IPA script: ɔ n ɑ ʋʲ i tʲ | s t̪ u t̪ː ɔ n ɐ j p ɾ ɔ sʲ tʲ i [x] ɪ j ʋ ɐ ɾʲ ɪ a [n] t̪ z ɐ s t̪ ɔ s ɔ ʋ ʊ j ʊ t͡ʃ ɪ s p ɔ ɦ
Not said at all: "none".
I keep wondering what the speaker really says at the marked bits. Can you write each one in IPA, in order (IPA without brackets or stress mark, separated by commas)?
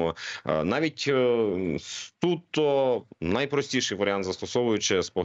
ʃ, n